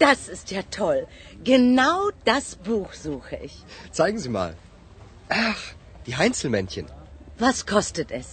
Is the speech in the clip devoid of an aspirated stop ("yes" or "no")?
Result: no